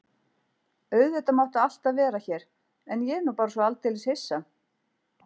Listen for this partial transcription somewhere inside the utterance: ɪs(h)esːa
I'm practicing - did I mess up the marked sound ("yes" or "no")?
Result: no